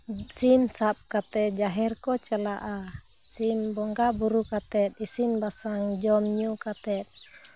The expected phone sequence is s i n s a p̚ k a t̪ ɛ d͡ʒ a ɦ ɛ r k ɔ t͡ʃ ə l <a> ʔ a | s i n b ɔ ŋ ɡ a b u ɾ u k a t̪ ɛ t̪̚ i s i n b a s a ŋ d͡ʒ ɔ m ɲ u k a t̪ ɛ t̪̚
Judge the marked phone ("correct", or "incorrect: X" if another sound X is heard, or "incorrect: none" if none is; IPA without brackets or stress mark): correct